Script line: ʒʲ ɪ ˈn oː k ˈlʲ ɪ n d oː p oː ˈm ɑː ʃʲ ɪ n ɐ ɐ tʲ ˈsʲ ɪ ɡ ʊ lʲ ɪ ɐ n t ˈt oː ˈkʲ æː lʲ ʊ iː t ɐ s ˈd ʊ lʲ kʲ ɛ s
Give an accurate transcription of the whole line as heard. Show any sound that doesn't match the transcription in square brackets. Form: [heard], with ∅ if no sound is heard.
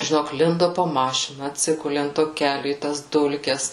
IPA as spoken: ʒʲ ɪ ˈn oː k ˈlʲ ɪ n d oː p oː ˈm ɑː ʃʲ ɪ n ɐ ɐ tʲ ˈsʲ ɪ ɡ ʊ lʲ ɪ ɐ n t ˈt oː ˈkʲ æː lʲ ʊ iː t ɐ s ˈd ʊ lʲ kʲ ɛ s